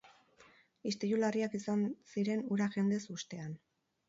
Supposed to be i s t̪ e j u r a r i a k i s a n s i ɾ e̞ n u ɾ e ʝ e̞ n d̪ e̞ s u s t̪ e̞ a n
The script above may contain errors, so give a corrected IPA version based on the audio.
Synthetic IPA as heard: i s t̪ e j u l a r i a k i s a n s i ɾ e̞ n u ɾ a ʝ e̞ n d̪ e̞ s u s t̪ e̞ a n